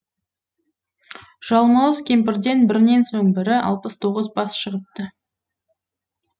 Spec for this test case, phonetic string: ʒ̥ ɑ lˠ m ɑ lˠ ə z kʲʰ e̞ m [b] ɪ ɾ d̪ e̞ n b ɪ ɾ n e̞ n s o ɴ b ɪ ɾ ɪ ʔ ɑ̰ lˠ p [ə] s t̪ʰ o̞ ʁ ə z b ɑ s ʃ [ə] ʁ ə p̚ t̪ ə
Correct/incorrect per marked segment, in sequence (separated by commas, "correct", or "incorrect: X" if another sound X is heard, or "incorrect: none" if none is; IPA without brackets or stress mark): incorrect: p, correct, correct